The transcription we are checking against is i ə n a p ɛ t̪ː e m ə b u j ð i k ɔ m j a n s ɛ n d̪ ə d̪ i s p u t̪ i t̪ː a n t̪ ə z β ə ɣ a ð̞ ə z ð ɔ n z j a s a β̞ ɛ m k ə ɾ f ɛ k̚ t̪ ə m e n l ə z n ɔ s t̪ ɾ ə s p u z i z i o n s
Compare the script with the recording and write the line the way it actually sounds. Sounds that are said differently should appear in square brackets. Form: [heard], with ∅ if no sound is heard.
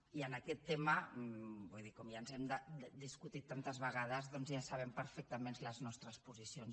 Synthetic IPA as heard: i ə n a [k] ɛ t̪ː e m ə b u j ð i k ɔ m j a n [z] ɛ [m] d̪ ə d̪ i s [k] u t̪ i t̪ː a n t̪ ə z β ə ɣ a ð̞ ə z ð ɔ n z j a s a β̞ ɛ m [p] ə ɾ f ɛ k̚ t̪ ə m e n l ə z n ɔ s t̪ ɾ ə s p u z i [s] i o n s